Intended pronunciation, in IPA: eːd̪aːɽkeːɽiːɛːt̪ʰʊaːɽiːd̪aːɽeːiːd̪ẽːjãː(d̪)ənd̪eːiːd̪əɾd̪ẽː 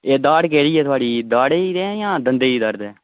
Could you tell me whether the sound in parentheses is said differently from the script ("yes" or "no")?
no